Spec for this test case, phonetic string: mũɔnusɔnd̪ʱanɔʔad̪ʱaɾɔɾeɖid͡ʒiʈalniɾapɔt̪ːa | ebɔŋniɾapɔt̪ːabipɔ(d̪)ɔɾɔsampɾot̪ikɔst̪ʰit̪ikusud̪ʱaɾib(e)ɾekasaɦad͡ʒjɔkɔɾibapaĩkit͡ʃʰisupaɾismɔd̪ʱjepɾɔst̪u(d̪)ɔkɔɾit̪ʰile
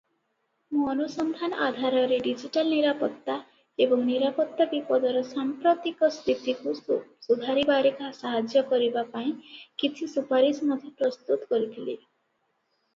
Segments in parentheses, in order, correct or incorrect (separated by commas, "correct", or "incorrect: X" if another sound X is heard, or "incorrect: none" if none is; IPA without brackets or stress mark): correct, incorrect: a, incorrect: t̪